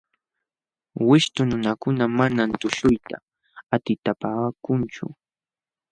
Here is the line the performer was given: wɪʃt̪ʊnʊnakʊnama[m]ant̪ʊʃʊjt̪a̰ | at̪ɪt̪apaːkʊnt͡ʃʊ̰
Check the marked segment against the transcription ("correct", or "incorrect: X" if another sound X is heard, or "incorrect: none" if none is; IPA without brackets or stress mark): incorrect: n